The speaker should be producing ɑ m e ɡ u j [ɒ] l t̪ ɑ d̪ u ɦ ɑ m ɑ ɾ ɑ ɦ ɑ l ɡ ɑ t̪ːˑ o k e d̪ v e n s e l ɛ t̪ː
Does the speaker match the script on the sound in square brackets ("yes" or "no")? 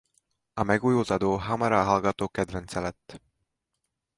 no